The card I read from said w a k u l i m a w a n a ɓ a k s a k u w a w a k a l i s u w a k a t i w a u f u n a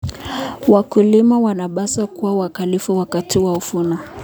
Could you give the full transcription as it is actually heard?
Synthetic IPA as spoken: w a k u l i m a w a n a ɓ a s a k u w a w a k a l i f u w a k a t i w a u f u n a